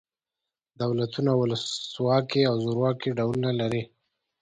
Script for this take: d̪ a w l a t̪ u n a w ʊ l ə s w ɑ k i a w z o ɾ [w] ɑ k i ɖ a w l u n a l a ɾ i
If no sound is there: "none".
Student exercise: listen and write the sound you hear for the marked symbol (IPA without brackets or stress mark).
w